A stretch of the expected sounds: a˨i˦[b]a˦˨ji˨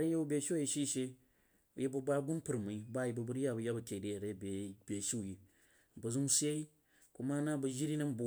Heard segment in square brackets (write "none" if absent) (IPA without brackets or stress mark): b